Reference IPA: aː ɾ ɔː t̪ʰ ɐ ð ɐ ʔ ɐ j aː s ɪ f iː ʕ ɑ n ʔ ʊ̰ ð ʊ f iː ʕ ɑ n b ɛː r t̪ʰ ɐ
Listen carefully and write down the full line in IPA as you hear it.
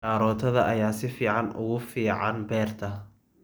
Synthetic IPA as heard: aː ɾ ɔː t̪ʰ ɐ ð ɐ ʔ ɐ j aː s ɪ f iː ʕ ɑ n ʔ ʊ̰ ɣ ʊ f iː ʕ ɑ n b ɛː r t̪ʰ ɐ